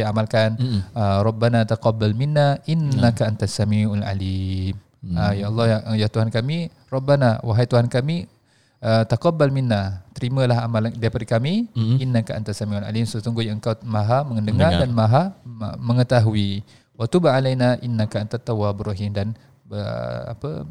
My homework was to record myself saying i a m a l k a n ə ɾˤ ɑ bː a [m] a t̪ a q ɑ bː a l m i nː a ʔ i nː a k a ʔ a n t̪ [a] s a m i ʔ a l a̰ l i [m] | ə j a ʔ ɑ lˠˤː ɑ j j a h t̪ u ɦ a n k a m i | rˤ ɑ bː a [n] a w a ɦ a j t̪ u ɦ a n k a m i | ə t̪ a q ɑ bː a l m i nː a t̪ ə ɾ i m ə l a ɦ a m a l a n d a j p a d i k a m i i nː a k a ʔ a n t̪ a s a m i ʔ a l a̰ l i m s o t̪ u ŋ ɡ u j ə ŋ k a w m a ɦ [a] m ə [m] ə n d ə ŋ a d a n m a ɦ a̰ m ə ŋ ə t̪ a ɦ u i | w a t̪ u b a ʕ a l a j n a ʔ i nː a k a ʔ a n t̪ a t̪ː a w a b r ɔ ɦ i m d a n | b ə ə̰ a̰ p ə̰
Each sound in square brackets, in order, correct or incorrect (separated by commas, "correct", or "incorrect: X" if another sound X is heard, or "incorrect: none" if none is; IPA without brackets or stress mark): incorrect: n, correct, correct, correct, correct, incorrect: ŋ